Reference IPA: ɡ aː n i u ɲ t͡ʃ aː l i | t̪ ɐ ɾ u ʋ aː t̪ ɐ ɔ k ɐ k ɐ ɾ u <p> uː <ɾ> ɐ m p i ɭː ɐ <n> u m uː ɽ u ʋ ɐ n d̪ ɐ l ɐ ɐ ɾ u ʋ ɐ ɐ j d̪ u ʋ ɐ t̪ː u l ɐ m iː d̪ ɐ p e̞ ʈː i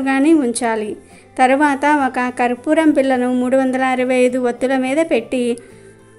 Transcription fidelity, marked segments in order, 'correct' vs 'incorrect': correct, correct, correct

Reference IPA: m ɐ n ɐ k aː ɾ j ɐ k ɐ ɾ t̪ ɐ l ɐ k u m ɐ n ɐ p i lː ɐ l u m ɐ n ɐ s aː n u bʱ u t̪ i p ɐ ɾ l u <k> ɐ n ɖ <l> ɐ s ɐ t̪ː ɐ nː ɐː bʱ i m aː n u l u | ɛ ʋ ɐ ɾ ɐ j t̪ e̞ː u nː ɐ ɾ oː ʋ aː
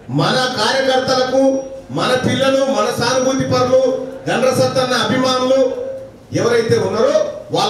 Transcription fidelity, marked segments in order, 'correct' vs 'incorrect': incorrect: ɡ, incorrect: ɾ

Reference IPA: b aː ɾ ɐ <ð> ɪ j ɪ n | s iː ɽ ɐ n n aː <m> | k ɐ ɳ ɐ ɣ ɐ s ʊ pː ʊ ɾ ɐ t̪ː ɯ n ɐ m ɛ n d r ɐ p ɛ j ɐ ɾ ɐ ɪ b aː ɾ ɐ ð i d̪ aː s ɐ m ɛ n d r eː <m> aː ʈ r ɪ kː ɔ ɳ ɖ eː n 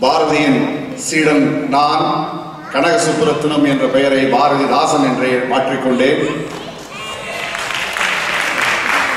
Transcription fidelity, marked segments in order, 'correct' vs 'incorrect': correct, incorrect: n, correct

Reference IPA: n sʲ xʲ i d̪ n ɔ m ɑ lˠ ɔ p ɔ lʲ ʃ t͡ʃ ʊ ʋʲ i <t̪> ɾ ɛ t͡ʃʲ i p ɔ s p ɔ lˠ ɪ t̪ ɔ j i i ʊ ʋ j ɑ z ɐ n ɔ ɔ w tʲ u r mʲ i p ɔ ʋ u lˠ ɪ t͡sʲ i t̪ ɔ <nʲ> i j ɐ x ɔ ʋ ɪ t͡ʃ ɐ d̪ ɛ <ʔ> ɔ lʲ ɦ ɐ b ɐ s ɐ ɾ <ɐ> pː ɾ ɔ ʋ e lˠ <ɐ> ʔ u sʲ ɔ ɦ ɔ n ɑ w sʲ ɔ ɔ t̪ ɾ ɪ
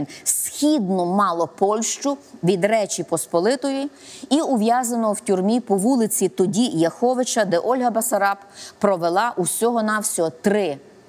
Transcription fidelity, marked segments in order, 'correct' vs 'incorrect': incorrect: d̪, incorrect: dʲ, correct, incorrect: ɑ, incorrect: ɑ

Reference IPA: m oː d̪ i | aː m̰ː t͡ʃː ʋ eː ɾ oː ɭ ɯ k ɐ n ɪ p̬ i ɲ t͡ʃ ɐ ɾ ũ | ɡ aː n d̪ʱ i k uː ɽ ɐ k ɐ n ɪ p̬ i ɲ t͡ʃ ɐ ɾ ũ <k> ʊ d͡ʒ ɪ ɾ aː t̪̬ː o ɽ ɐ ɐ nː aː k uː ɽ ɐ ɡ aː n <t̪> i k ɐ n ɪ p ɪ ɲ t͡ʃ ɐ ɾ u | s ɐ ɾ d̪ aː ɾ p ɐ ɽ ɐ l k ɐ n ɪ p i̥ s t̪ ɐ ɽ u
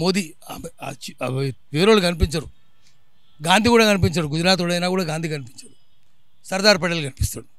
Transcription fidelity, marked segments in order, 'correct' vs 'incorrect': incorrect: ɡ, incorrect: d̪

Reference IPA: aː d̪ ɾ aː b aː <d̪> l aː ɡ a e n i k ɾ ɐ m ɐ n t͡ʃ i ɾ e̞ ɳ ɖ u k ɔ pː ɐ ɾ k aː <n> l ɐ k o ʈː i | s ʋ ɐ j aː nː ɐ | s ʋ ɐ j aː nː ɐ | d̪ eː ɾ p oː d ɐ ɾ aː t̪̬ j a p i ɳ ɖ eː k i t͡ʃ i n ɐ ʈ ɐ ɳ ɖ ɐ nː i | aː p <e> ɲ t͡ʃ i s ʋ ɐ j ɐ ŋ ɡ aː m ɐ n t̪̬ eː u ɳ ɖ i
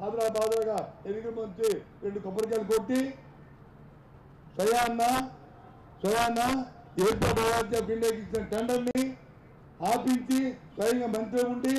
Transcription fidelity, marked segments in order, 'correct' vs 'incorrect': correct, incorrect: none, incorrect: i

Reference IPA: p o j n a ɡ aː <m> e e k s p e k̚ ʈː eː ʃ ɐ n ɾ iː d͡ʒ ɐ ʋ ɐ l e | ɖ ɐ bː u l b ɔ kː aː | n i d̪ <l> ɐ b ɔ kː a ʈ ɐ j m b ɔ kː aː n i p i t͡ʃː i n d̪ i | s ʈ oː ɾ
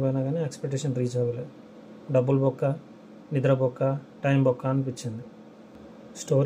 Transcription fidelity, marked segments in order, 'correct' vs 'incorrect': incorrect: n, incorrect: ɾ

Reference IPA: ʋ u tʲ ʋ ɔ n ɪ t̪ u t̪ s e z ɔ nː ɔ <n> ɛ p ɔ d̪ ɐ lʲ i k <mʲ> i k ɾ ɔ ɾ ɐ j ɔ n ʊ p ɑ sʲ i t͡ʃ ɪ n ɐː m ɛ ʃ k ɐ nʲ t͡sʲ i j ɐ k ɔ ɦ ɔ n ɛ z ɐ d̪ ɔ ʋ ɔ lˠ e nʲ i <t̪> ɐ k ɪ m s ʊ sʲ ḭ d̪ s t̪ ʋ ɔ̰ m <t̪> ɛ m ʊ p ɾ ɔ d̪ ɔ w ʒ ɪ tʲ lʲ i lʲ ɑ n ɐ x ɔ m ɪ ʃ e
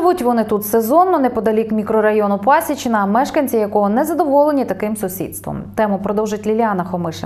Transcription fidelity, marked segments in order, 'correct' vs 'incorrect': correct, correct, correct, correct

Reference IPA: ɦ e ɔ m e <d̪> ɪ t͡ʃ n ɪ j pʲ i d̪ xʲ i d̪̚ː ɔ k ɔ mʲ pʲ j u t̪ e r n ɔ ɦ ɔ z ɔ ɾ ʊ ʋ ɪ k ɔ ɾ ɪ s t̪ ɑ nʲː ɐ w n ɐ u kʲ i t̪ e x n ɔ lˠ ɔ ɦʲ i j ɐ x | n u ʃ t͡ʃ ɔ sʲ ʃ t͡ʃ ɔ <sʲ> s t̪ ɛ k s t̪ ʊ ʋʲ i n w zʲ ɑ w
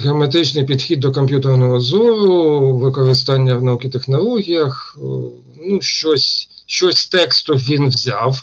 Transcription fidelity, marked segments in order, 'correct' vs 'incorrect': incorrect: t̪, correct

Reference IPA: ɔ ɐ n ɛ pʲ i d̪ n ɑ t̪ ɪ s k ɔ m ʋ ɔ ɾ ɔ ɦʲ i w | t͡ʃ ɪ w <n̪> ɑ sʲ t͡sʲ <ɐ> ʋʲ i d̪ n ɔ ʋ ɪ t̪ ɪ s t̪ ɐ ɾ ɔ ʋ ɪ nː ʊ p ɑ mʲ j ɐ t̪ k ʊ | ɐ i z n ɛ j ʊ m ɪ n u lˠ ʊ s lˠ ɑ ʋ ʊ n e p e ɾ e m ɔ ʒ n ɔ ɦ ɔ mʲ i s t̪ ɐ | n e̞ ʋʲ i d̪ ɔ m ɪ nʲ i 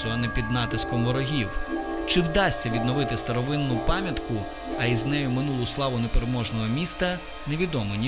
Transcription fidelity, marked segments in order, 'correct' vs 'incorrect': incorrect: d̪, correct

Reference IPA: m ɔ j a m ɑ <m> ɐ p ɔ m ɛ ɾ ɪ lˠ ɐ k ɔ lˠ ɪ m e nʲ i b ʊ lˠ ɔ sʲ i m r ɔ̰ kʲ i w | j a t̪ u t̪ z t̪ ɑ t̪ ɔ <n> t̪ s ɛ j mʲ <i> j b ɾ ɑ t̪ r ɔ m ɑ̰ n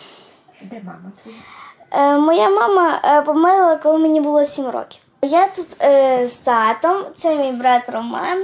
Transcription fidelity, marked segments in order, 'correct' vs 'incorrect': correct, incorrect: m, correct

